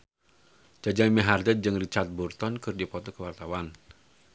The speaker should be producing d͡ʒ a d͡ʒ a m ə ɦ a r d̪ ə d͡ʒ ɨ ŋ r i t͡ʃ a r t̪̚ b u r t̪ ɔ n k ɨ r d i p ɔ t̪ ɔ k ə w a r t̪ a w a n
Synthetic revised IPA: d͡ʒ a d͡ʒ a m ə ɦ a r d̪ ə d͡ʒ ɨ ŋ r i t͡ʃ a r t̪̚ b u r t̪ ɔ n k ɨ r d i p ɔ t̪ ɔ k ə w a r t̪ a w a n